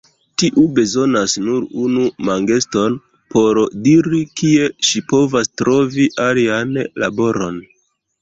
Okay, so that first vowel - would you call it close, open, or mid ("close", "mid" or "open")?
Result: close